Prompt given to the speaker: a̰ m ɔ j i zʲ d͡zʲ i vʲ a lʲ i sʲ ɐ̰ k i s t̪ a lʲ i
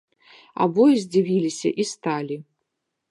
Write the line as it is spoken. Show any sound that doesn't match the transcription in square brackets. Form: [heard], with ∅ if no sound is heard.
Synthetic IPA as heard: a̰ [b] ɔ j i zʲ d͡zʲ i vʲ [i] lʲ i sʲ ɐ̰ [ʔ] i s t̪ a lʲ i